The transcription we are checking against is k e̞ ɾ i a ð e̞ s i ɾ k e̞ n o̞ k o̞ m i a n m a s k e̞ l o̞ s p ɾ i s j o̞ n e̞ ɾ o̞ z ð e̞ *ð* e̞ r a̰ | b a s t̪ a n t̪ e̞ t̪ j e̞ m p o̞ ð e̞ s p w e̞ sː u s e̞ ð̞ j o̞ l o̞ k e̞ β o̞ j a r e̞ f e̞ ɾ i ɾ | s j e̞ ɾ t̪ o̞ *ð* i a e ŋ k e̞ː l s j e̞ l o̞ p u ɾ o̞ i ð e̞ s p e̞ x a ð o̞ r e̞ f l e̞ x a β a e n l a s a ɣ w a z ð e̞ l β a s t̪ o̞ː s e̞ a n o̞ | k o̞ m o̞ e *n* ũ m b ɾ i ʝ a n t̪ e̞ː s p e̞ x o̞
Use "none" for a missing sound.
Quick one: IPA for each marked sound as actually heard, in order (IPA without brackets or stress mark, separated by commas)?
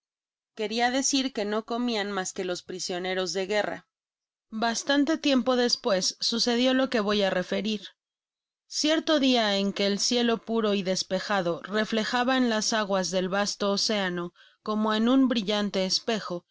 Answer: ɣ, ð, n